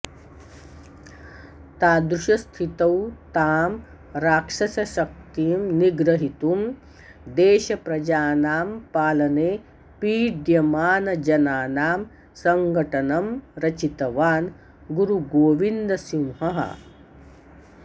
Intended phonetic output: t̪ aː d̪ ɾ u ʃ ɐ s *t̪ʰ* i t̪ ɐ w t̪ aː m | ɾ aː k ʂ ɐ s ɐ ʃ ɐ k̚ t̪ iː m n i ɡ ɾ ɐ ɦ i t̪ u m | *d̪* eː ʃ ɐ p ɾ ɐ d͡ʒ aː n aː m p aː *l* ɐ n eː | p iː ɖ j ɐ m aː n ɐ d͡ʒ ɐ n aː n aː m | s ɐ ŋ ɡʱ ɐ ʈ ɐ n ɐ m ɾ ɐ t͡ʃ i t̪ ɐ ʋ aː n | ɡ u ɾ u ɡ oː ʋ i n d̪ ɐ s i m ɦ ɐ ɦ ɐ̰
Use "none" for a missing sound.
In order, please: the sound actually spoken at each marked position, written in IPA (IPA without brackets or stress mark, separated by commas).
t̪ʰ, d̪, l